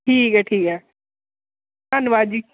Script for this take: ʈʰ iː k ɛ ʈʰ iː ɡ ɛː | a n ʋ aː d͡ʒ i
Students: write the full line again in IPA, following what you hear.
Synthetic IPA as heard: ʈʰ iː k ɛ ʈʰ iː k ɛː | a n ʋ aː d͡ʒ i